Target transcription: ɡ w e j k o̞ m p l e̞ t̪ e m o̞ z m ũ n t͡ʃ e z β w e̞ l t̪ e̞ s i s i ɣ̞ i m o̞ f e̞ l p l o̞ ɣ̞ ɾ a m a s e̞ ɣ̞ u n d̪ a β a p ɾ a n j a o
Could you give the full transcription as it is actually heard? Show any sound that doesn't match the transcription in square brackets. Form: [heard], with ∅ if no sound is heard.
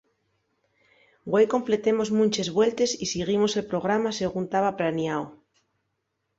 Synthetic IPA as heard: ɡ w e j k o̞ m p l e̞ t̪ e m o̞ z m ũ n t͡ʃ e z β w e̞ l t̪ e̞ s i s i ɣ̞ i m o̞ [s] e̞ l p [ɾ] o̞ ɣ̞ ɾ a m a s e̞ ɣ̞ u n [t̪] a β a p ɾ a n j a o